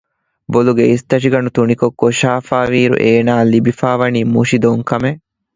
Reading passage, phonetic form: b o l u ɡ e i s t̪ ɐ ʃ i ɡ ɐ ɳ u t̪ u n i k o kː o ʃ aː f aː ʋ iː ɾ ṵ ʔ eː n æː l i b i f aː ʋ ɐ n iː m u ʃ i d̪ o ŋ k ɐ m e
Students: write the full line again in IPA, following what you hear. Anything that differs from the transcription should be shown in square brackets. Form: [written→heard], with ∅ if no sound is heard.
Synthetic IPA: b o l u ɡ e i s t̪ ɐ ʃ i ɡ ɐ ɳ u t̪ u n i k o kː o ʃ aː f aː ʋ iː ɾ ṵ ʔ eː n [æː→aː] l i b i f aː ʋ ɐ n iː m u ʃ i d̪ o ŋ k ɐ m e